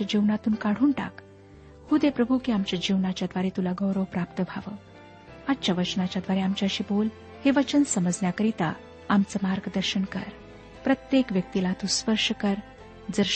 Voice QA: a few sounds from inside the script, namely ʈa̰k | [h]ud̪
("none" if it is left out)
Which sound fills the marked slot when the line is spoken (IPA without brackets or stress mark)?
h